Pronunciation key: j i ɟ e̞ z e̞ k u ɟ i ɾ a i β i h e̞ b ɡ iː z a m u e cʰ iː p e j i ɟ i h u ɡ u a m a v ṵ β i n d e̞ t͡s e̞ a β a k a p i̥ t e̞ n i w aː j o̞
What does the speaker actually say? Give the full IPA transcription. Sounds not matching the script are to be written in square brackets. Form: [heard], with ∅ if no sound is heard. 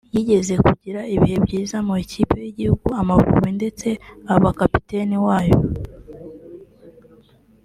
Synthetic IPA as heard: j i ɟ e̞ z e̞ k u ɟ i ɾ a i β i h e̞ b [ɟ] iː z a m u e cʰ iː p e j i ɟ i h u ɡ u a m a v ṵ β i n d e̞ t͡s e̞ a β a k a p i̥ t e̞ n i w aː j o̞